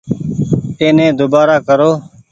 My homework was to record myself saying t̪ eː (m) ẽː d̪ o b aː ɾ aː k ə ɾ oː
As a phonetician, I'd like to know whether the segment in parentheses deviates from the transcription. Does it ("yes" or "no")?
yes